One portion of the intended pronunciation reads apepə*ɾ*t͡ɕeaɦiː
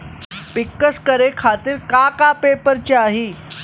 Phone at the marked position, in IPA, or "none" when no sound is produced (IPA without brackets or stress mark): ɾ